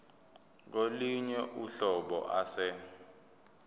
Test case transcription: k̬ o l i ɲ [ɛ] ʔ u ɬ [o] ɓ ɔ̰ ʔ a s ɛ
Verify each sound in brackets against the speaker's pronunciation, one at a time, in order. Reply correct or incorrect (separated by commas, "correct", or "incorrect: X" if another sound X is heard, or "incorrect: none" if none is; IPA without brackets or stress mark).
correct, incorrect: ɔ